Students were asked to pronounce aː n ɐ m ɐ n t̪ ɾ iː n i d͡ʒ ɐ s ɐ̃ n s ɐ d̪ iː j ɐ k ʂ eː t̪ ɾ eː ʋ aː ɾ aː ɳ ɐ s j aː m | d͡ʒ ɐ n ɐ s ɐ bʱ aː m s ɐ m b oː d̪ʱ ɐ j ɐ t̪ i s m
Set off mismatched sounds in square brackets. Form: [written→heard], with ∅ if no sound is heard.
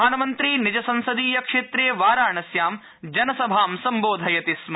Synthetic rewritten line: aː n ɐ m ɐ n t̪ ɾ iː n i d͡ʒ ɐ s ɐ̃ n s ɐ d̪ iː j ɐ k ʂ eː t̪ ɾ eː ʋ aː ɾ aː ɳ ɐ s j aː m | d͡ʒ ɐ n ɐ s ɐ bʱ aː m s ɐ m b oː d̪ʱ ɐ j ɐ t̪ i s m

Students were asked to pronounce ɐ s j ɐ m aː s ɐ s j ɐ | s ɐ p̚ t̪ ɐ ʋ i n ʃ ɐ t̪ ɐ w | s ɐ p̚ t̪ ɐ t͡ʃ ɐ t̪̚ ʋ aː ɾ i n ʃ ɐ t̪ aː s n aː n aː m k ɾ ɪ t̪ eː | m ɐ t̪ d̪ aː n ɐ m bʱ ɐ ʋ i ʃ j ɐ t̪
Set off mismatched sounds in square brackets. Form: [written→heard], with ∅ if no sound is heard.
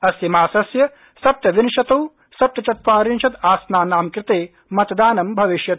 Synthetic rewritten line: ɐ s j ɐ m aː s ɐ s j ɐ | s ɐ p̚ t̪ ɐ ʋ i n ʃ ɐ t̪ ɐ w | s ɐ p̚ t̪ ɐ t͡ʃ ɐ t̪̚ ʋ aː ɾ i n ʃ ɐ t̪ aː s n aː n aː m k ɾ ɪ t̪ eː | m ɐ t̪ d̪ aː n ɐ m bʱ ɐ ʋ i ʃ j ɐ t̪

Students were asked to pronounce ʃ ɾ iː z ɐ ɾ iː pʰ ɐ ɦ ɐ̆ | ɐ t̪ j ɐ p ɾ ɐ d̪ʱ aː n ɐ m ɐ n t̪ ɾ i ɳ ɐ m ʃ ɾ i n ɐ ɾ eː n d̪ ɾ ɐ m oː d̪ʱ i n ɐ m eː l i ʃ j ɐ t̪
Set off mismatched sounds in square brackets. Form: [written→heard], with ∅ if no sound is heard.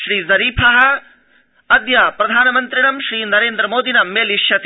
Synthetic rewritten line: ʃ ɾ iː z ɐ ɾ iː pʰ ɐ ɦ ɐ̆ | ɐ [t̪→d̪] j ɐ p ɾ ɐ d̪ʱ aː n ɐ m ɐ n t̪ ɾ i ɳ ɐ m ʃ ɾ [i→iː] n ɐ ɾ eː n d̪ ɾ ɐ m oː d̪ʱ i n ɐ m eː l i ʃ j ɐ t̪

